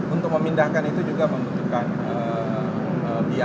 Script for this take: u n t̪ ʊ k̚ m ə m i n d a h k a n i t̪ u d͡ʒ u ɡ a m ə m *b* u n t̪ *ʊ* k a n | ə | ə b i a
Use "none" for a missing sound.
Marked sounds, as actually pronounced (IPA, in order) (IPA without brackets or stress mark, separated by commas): b, u